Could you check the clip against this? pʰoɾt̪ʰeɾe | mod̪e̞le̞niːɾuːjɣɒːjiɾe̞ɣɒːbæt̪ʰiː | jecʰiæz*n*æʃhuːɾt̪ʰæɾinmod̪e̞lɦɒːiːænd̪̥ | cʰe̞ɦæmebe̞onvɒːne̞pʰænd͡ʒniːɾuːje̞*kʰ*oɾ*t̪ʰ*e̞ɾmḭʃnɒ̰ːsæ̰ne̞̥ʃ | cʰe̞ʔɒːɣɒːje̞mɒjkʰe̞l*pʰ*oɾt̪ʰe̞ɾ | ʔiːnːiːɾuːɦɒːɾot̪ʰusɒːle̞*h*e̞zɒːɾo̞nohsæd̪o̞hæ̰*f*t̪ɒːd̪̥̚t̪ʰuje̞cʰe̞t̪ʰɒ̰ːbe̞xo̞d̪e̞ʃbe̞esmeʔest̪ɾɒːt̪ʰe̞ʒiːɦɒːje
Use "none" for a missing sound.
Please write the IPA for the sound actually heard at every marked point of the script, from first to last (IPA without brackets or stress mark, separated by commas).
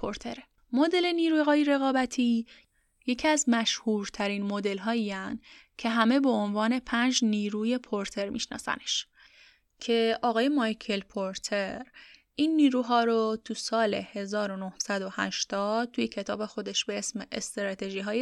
m, pʰ, t̪ʰ, pʰ, h, ʃ